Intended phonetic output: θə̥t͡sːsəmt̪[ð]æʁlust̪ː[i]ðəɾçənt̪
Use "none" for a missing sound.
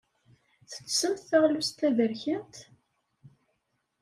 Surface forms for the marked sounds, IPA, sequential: θ, æ

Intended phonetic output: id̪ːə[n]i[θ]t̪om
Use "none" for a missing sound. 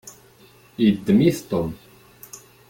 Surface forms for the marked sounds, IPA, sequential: m, θ

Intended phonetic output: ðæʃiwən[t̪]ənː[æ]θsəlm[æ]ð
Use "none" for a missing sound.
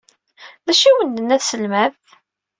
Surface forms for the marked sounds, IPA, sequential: d̪, æ, æ

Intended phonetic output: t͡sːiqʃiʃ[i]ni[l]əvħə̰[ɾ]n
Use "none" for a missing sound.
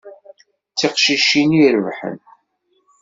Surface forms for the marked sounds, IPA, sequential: i, ɾ, none

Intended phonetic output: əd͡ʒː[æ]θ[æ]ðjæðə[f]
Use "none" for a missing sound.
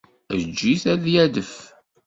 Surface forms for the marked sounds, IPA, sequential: i, æ, f

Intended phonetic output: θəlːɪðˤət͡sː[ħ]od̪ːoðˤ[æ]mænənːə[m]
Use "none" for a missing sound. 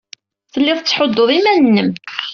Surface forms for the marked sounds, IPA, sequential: ħ, i, m

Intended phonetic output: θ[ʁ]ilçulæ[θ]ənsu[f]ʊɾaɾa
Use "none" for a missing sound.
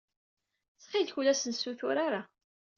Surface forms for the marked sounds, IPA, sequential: χ, s, θ

